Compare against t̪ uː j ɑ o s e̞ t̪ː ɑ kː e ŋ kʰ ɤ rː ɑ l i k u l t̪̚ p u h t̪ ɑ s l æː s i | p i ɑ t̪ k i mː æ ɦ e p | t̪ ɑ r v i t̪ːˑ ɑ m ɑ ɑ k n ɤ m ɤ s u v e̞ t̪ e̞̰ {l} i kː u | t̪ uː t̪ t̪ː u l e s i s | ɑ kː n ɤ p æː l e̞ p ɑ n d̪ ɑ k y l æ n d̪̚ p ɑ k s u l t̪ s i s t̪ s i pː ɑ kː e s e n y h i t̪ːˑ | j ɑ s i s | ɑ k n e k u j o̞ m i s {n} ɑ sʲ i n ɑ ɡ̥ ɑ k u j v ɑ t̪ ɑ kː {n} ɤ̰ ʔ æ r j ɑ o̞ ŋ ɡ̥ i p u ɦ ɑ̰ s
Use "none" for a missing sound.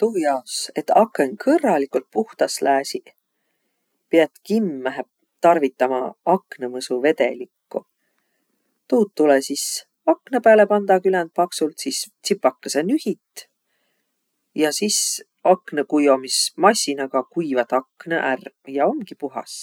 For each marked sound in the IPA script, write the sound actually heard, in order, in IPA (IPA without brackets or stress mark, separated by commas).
l, m, n